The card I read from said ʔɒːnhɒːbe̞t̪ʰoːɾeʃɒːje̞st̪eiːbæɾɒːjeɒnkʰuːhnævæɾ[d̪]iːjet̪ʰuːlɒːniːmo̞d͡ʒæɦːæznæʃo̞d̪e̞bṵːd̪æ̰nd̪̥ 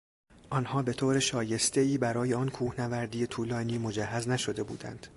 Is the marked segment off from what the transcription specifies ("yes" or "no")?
no